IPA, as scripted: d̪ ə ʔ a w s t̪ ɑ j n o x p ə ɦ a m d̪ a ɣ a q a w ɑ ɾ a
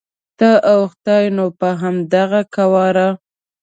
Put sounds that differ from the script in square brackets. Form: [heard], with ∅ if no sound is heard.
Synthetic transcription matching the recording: [t̪] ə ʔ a w [x] t̪ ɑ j n o [∅] p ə ɦ a m d̪ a ɣ a [k] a w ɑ ɾ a